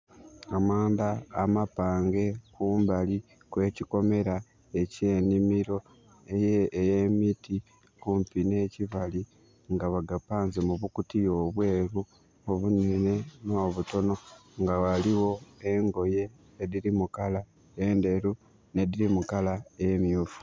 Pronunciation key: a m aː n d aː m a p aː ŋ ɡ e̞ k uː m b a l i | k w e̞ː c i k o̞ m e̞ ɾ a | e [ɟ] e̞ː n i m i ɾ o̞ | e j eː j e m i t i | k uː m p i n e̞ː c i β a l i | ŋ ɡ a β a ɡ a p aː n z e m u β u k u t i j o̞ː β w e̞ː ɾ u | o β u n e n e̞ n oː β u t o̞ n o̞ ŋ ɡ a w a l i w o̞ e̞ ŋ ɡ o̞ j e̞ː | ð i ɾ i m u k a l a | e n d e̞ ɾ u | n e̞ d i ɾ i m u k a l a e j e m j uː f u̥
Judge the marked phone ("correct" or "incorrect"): incorrect